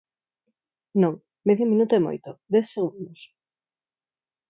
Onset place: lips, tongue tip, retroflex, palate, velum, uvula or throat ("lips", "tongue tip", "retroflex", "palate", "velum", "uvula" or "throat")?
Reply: tongue tip